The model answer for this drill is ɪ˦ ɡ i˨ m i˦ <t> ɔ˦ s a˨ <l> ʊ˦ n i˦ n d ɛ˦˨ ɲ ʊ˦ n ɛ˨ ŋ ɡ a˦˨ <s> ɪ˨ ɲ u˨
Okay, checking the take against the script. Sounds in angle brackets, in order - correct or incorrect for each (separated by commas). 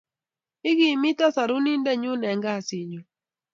correct, incorrect, correct